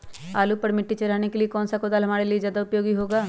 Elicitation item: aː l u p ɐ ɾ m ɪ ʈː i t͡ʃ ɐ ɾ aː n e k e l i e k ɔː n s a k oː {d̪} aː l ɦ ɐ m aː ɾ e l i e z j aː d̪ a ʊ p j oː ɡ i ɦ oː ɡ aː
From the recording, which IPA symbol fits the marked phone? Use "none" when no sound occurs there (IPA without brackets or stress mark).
d̪